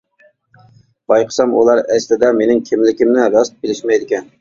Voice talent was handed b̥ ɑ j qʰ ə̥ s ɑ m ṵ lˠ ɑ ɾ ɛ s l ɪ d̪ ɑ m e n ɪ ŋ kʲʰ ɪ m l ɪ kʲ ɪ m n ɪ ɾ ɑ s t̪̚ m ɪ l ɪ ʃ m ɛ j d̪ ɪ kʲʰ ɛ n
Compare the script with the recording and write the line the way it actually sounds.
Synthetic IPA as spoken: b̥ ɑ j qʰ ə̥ s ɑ m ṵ lˠ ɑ ɾ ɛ s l ɪ d̪ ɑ m e n ɪ ŋ kʲʰ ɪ m l ɪ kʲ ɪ m n ɪ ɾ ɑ s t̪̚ b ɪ l ɪ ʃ m ɛ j d̪ ɪ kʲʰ ɛ n